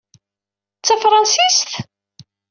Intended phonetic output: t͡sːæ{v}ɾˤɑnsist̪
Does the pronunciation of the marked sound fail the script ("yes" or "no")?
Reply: yes